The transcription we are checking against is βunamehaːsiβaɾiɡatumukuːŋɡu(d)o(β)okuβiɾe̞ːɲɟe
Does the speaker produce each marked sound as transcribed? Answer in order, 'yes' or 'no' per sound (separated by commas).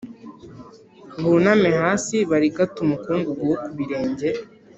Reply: no, no